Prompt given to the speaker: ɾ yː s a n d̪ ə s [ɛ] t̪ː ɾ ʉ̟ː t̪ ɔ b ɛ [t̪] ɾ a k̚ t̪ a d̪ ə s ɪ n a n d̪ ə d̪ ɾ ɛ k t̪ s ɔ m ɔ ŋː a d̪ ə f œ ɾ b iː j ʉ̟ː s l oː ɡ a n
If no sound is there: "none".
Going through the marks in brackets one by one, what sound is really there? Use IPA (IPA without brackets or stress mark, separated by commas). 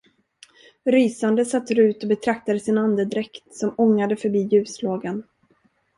a, t̪ʰ